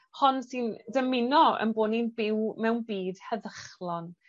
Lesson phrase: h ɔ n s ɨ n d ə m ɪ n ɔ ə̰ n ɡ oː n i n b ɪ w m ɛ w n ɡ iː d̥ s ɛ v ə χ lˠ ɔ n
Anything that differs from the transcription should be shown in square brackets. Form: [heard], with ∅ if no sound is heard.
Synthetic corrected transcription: h ɔ n s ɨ n d ə m ɪ n ɔ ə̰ n [b] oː n i n b ɪ w m ɛ w n [b] iː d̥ [h] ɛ [ð] ə χ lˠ ɔ n